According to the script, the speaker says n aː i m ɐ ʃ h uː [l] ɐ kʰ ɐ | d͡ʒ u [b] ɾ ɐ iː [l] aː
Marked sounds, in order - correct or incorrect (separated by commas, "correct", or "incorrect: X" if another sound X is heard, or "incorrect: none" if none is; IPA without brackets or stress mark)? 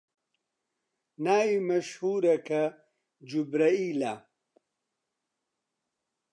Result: incorrect: ɾ, correct, correct